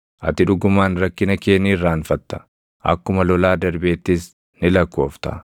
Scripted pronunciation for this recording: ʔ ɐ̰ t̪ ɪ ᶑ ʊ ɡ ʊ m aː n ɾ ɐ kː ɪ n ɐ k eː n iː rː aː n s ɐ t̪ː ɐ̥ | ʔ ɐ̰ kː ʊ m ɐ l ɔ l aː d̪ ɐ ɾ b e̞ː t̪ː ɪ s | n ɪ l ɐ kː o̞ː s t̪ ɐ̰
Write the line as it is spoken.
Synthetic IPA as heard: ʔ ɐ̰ t̪ ɪ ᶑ ʊ ɡ ʊ m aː n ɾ ɐ kː ɪ n ɐ k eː n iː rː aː n f ɐ t̪ː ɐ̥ | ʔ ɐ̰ kː ʊ m ɐ l ɔ l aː d̪ ɐ ɾ b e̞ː t̪ː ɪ s | n ɪ l ɐ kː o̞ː f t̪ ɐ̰